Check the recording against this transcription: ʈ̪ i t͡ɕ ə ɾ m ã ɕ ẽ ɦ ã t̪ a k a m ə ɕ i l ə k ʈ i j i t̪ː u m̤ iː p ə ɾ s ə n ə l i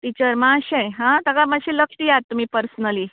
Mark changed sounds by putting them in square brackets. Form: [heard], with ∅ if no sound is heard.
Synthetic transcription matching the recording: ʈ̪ i t͡ɕ ə ɾ m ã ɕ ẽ ɦ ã t̪ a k a m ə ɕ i l ə k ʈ i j [a] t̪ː u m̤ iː p ə ɾ s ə n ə l i